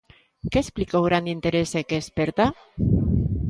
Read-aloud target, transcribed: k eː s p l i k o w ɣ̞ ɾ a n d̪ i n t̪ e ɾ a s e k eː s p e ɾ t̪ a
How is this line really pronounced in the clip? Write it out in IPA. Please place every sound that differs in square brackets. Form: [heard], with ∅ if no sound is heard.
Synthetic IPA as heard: k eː s p l i k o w ɣ̞ ɾ a n d̪ i n t̪ e ɾ [e] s e k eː s p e ɾ t̪ a